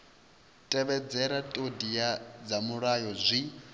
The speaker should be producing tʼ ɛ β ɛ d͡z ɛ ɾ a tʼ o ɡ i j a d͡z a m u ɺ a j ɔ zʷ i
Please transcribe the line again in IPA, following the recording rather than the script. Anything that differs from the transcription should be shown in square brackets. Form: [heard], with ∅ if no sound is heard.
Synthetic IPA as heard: tʼ ɛ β ɛ d͡z ɛ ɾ a tʼ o [d] i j a d͡z a m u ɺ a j ɔ zʷ i